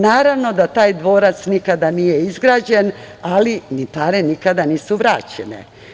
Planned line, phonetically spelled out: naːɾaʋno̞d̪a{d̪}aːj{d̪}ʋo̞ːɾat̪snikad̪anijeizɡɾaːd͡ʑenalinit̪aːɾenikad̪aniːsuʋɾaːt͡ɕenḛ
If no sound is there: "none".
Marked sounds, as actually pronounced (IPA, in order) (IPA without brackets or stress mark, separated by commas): t̪, d̪